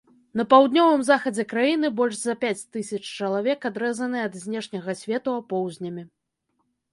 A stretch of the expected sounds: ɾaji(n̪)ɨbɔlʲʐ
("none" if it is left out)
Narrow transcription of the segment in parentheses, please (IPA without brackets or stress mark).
n̪